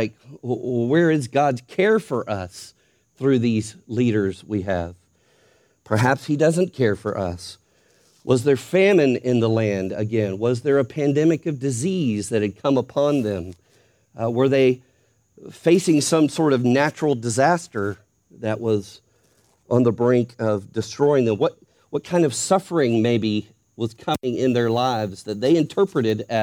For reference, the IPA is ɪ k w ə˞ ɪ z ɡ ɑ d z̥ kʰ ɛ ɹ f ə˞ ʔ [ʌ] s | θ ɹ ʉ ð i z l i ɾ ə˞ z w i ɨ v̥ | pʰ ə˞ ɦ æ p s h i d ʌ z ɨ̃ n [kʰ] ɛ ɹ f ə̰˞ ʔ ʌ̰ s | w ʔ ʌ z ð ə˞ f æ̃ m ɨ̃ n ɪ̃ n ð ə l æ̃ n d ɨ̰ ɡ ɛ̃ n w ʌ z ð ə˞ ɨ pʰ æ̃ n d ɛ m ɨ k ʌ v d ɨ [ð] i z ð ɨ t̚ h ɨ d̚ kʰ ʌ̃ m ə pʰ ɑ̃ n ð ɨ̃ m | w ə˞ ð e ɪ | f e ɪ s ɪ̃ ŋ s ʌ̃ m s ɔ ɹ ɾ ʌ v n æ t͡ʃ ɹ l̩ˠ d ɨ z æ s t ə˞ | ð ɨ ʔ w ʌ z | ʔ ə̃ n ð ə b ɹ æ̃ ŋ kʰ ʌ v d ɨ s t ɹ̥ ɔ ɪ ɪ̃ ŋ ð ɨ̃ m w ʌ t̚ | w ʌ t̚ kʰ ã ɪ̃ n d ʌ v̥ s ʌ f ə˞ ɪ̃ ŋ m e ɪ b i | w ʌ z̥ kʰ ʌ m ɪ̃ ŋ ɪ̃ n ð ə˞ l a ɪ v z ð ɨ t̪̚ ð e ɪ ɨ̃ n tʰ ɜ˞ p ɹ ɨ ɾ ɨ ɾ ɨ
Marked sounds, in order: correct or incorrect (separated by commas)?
correct, correct, incorrect